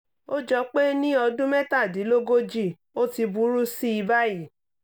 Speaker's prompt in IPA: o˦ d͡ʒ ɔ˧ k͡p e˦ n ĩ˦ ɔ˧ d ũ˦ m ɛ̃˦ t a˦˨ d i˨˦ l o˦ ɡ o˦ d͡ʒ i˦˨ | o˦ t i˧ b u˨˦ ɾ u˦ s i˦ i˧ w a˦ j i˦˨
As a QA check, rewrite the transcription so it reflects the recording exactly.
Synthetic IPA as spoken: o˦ d͡ʒ ɔ˧ k͡p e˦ n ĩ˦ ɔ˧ d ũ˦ m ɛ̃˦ t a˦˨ d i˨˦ l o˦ ɡ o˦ d͡ʒ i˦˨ | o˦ t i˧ b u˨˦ ɾ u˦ s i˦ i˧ b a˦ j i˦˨

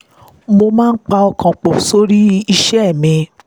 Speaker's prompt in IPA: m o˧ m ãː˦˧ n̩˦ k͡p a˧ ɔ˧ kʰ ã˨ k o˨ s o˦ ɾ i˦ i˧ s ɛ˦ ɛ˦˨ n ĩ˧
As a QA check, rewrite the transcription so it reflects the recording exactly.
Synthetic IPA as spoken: m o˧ m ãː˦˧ n̩˦ k͡p a˧ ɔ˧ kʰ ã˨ k͡p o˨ s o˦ ɾ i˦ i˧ ʃ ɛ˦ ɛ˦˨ m ĩ˧

